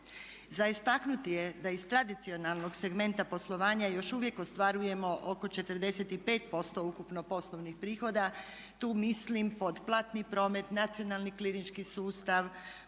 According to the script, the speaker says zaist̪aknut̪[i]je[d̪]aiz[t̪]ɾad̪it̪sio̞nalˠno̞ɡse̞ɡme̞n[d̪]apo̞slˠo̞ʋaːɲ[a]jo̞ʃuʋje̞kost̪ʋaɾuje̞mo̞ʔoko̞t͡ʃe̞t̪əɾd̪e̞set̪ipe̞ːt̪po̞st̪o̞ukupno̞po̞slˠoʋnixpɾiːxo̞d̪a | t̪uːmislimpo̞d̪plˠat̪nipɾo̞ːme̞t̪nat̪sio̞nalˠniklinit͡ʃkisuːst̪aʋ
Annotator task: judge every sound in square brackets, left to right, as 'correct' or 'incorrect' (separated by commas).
correct, correct, correct, incorrect, correct